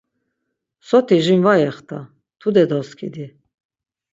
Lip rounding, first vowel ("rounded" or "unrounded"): rounded